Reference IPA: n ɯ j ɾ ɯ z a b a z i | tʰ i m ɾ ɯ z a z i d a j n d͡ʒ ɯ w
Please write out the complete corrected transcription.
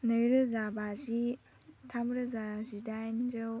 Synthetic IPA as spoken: n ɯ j ɾ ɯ z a b a z i | tʰ a m ɾ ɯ z a z i d a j n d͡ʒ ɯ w